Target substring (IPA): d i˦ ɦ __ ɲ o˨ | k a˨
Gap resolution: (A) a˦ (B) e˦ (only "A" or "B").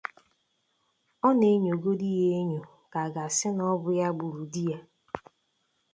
B